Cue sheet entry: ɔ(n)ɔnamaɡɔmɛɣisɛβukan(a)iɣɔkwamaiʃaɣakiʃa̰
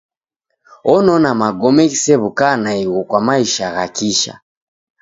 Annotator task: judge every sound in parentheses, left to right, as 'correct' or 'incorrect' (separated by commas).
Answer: correct, correct